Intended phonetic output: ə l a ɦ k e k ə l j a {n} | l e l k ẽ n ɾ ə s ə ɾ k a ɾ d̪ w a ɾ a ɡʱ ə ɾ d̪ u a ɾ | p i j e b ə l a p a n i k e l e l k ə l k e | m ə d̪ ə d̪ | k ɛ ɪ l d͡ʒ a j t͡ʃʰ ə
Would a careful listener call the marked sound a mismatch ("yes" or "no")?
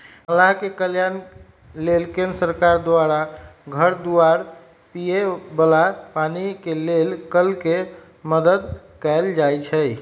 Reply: no